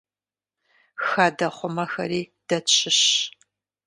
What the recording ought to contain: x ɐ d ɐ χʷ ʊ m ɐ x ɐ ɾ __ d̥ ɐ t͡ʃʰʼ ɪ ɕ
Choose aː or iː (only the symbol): iː